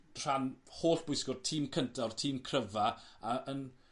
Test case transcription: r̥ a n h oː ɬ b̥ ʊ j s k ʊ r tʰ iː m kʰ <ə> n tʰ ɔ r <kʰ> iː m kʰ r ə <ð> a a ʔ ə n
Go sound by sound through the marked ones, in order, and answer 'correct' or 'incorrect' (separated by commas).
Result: correct, incorrect, incorrect